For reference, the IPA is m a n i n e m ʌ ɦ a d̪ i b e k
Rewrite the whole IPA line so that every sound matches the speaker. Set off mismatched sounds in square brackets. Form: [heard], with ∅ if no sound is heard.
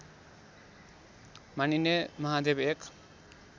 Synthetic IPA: m a n i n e m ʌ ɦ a d̪ [e] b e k